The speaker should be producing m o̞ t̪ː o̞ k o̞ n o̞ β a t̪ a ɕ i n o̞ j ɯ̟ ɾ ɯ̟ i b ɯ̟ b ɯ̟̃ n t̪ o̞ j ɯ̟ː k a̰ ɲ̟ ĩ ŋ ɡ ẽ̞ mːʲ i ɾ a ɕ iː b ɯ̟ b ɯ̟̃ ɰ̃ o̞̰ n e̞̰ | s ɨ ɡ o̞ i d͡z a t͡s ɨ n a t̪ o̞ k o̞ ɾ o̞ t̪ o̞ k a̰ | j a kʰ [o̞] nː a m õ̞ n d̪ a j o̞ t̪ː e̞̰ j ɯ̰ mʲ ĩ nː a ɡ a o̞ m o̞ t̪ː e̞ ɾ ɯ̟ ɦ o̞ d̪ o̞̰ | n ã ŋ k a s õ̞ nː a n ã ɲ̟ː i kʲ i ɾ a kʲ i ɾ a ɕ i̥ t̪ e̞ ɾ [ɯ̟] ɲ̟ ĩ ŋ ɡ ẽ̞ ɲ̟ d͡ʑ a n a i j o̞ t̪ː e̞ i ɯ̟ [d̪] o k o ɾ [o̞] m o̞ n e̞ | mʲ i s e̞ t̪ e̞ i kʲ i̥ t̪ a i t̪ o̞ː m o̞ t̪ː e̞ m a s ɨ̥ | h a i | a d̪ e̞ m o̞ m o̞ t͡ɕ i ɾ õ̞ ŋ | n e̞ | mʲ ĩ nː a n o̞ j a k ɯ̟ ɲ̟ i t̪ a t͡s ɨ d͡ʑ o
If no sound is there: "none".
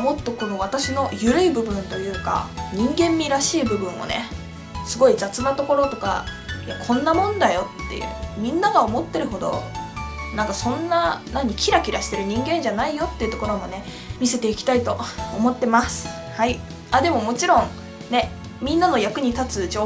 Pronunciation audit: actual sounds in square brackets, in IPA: õ̞, ɯ̟, t̪, o̞

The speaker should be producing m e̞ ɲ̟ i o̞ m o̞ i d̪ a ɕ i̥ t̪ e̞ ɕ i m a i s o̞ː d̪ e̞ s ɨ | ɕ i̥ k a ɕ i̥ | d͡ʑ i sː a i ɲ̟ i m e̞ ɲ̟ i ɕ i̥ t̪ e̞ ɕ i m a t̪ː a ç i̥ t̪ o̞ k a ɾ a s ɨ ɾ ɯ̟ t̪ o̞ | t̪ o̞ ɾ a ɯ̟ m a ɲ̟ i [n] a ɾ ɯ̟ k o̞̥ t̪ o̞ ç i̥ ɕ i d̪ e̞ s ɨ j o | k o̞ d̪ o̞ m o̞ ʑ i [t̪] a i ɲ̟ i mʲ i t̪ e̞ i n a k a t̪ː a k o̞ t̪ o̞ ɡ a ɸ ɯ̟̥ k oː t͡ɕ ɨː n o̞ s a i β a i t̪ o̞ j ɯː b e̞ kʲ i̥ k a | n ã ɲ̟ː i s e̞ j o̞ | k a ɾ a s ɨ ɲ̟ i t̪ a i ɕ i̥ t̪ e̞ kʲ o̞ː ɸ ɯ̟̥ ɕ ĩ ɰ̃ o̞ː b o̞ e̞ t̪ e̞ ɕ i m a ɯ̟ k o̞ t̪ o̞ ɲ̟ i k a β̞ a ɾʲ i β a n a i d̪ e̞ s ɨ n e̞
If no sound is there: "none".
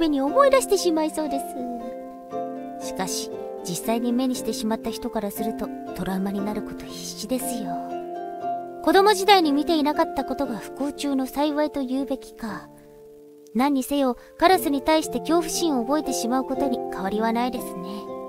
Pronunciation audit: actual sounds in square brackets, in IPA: n, d̪

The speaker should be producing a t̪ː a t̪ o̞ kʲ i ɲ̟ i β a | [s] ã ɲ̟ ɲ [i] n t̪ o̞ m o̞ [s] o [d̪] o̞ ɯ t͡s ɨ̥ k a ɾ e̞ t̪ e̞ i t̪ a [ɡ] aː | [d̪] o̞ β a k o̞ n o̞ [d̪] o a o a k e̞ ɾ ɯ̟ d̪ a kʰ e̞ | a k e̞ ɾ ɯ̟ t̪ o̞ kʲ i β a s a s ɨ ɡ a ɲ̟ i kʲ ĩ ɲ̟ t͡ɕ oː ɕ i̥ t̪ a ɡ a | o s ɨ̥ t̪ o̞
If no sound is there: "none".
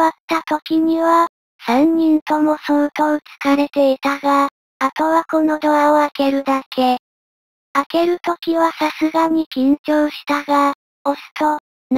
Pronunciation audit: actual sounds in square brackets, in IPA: s, ĩ, s, t̪, ɡ, t̪, d̪

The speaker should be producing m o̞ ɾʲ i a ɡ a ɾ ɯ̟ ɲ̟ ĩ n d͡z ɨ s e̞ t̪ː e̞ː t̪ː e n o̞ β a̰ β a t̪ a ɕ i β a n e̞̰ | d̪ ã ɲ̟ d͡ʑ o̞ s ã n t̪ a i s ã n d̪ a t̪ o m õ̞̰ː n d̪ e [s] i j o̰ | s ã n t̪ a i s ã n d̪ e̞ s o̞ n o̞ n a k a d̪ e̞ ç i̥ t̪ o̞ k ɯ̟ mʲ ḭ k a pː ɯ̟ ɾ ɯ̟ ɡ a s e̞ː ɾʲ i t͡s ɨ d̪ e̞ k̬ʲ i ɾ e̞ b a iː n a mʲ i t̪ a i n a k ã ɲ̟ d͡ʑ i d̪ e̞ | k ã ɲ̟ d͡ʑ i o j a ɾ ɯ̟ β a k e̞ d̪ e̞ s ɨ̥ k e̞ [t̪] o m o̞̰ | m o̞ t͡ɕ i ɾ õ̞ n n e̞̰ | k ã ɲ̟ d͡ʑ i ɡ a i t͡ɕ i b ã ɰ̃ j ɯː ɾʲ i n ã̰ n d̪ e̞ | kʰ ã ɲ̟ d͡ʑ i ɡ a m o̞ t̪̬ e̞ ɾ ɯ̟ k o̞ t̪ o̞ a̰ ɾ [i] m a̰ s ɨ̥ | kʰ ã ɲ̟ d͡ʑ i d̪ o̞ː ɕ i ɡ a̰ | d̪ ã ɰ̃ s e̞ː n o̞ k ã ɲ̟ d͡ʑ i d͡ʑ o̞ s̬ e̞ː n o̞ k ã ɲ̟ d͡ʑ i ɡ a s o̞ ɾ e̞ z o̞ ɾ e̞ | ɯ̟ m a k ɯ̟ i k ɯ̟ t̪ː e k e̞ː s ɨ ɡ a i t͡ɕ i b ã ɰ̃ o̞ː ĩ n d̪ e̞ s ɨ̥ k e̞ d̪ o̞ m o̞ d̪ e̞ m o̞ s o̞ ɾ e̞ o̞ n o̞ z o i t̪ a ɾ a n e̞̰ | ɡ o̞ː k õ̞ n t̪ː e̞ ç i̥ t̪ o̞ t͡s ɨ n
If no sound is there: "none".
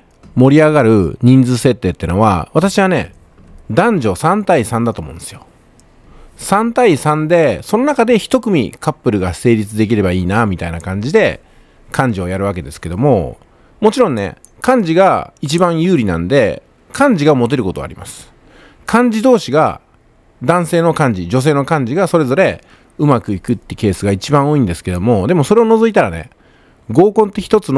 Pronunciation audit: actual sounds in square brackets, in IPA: s, d̪, i

